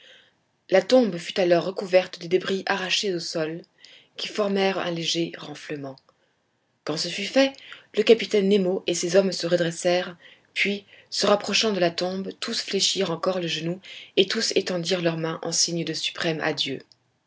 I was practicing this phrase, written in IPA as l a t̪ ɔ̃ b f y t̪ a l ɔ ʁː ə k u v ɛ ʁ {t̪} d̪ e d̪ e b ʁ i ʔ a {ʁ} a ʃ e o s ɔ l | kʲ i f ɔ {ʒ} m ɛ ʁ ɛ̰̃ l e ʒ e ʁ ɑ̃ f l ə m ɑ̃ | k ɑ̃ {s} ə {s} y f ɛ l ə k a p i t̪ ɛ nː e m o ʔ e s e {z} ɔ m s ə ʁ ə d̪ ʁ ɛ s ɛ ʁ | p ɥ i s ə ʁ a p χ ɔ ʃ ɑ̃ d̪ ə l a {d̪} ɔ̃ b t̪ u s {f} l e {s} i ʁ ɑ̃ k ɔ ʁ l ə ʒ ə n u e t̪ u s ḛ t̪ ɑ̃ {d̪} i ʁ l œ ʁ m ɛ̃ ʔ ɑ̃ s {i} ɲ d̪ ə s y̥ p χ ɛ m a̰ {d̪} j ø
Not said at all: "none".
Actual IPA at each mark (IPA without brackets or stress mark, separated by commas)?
t̪, ʁ, ʁ, s, f, z, t̪, f, ʃ, d̪, i, d̪